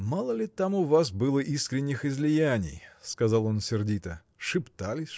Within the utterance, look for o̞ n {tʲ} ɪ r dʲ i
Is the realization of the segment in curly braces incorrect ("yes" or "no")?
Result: yes